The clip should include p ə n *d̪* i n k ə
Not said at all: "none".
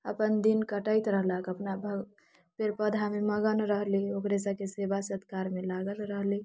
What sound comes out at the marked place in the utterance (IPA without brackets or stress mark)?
d̪